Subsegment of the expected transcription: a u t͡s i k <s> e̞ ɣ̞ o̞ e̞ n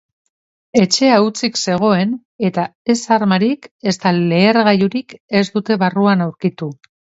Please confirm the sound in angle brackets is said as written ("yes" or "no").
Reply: yes